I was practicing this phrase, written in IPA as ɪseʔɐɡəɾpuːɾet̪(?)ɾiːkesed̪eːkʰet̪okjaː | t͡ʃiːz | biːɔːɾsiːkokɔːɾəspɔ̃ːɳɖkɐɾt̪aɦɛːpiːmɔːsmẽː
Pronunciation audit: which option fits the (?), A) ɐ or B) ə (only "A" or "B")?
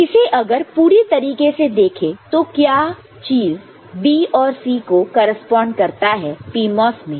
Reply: A